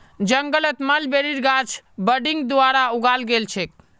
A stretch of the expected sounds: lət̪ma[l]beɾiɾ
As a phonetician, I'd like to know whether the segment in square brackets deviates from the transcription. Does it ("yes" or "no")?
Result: no